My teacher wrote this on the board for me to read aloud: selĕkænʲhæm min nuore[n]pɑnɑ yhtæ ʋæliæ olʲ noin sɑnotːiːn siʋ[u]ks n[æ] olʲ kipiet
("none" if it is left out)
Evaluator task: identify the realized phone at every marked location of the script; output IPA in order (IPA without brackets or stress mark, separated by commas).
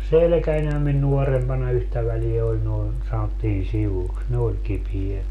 m, u, e